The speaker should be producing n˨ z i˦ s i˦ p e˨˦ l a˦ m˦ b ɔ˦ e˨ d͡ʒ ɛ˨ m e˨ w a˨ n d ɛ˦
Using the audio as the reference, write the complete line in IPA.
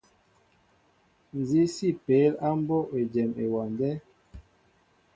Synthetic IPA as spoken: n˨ z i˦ s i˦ p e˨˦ l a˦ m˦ b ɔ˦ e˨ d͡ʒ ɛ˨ m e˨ w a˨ n d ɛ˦

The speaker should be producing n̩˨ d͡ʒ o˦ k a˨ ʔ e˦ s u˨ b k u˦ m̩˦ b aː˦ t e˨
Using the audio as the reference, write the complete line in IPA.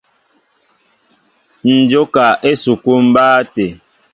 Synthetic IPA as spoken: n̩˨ d͡ʒ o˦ k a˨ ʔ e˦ s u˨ k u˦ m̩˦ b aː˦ t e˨

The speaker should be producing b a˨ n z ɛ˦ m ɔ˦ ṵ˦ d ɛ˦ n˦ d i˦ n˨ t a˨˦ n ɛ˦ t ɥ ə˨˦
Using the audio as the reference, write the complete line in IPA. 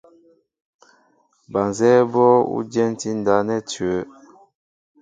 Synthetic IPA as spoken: b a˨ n z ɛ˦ b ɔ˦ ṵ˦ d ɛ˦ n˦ t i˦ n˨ d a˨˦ n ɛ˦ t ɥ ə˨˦

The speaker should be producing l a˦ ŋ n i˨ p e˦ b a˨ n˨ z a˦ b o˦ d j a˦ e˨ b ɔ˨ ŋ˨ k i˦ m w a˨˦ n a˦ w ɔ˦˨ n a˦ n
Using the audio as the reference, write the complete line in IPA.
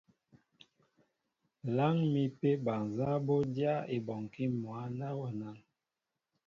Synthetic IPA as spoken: l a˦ ŋ m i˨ p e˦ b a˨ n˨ z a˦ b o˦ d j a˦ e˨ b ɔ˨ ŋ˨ k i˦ m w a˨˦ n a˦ w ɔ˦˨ n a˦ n

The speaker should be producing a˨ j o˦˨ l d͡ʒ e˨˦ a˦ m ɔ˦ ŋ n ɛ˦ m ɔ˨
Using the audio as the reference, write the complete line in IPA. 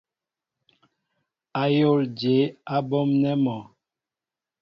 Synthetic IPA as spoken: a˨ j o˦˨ l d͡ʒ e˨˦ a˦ b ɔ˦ m n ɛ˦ m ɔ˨

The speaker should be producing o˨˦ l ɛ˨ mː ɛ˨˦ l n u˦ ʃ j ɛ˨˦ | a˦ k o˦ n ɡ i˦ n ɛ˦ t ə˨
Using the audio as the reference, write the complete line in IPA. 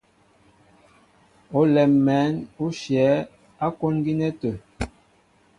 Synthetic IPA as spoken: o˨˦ l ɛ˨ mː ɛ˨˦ n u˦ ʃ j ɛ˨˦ | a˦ k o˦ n ɡ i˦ n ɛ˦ t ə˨

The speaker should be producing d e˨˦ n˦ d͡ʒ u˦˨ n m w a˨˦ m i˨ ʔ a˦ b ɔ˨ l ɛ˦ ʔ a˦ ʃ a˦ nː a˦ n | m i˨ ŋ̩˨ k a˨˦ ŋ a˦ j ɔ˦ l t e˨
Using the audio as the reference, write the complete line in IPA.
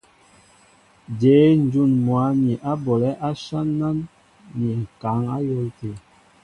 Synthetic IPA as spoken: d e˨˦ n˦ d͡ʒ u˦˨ n m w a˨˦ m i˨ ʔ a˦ b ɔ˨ l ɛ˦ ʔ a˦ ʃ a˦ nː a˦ n | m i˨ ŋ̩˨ k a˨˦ ŋ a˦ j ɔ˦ l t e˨

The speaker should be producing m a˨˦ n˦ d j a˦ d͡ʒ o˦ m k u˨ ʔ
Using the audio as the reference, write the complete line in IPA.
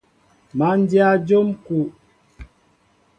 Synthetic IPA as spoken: m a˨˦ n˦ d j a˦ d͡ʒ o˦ m k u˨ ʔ

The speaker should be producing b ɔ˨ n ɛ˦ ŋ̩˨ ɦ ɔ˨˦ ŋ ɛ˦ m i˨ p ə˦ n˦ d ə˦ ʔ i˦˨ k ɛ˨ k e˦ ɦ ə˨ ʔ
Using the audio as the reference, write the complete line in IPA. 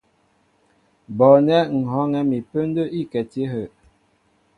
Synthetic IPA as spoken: b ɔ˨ n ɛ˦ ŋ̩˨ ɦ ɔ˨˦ ŋ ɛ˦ m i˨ p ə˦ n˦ d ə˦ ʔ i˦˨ k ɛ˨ t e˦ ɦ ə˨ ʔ

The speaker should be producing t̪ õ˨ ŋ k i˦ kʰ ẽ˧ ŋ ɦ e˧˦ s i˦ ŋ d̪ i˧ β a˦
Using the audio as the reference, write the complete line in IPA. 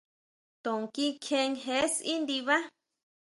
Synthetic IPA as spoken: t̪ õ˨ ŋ k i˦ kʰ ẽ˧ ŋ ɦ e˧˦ s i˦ n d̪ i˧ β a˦

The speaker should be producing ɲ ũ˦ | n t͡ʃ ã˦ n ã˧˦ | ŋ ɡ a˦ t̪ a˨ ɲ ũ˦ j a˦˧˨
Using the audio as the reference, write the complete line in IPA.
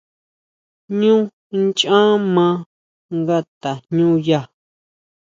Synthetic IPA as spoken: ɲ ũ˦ | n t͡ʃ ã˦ m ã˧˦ | ŋ ɡ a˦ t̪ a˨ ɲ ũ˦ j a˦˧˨

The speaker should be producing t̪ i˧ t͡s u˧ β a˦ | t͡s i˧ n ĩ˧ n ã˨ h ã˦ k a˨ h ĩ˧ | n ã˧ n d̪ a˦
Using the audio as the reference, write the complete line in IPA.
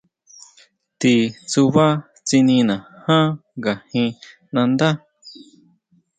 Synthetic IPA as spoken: t̪ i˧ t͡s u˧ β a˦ | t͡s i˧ n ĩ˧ n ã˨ h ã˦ ɡ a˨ h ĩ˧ | n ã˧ n d̪ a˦

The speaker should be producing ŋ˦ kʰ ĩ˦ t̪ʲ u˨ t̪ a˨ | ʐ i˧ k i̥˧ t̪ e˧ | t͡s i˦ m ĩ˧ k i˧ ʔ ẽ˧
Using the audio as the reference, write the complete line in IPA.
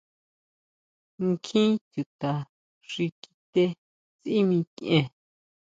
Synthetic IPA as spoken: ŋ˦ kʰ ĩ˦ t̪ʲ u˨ t̪ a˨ | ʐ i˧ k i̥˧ t̪ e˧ | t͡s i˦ m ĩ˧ k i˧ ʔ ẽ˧

